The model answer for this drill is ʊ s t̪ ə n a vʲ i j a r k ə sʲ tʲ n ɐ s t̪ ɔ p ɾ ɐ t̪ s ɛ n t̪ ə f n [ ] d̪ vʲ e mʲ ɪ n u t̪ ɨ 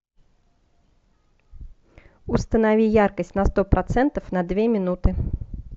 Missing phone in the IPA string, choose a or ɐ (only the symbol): ɐ